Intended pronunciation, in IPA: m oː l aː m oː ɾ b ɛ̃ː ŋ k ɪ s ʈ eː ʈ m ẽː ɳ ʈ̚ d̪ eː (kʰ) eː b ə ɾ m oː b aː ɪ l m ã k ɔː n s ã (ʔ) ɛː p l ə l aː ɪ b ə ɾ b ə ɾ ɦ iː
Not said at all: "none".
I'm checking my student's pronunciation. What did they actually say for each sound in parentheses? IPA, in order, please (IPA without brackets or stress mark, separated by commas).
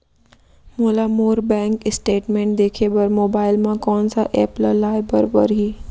kʰ, ʔ